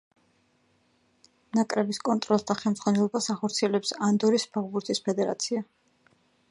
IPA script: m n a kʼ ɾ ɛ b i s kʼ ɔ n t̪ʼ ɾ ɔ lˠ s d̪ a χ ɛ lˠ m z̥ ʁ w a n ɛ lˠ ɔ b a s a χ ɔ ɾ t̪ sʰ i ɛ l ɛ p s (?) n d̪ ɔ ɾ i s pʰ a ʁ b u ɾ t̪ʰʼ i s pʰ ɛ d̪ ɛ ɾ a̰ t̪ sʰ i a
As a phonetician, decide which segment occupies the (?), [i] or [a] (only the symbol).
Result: a